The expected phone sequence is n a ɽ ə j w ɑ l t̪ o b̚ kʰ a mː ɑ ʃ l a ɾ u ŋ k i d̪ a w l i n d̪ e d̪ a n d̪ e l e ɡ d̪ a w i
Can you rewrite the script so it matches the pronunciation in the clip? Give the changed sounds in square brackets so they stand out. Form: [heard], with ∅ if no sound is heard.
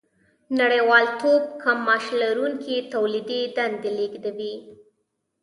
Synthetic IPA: n a ɽ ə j w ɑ l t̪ o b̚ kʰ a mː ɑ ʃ l a ɾ u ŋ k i [t̪] a w l i [∅] d̪ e d̪ a n d̪ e l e ɡ d̪ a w i

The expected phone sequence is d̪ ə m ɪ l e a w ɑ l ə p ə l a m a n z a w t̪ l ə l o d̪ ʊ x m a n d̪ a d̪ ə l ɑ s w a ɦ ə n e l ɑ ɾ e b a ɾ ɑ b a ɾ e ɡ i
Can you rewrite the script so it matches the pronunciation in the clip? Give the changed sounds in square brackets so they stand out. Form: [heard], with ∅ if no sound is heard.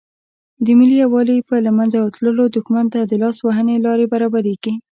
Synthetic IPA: d̪ ə m ɪ l [i] a w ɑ l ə p ə l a m a n z a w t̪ l ə l o d̪ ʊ x m a n [t̪] a d̪ ə l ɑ s w a ɦ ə n e l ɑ ɾ e b a ɾ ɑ b a ɾ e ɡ i

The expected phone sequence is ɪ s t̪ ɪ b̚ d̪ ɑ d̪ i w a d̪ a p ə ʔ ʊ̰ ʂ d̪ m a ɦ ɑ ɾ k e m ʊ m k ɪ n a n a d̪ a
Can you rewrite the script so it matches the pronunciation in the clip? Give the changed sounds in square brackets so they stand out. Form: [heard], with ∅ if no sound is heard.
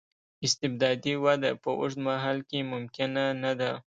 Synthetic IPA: ɪ s t̪ ɪ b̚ d̪ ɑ d̪ i w a d̪ a p ə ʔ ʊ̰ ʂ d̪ m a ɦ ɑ [l] k e m ʊ m k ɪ n a n a d̪ a

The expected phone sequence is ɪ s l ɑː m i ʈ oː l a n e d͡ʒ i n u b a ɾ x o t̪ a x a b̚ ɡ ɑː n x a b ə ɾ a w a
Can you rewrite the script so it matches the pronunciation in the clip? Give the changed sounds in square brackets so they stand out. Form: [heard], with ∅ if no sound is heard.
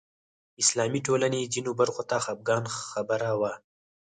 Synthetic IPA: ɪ s l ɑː m i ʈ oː l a n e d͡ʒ i n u b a ɾ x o t̪ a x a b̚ ɡ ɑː n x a b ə ɾ a w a

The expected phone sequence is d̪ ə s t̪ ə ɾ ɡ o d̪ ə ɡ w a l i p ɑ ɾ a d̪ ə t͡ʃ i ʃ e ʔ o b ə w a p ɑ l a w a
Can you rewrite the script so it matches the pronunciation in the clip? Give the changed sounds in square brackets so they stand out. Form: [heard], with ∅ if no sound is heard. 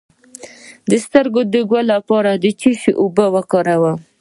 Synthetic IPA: d̪ ə s t̪ ə ɾ ɡ o d̪ ə ɡ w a l [a] p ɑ ɾ a d̪ ə t͡ʃ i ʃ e ʔ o b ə w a [k] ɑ [ɾ] a w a

